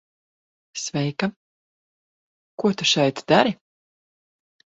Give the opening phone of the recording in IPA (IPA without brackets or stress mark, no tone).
s